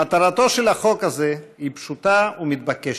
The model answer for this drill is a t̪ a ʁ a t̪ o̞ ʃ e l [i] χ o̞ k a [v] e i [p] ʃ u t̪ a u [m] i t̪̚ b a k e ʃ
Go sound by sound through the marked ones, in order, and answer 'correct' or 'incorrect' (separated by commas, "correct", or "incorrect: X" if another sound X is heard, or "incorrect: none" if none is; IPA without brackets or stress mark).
incorrect: a, incorrect: z, correct, correct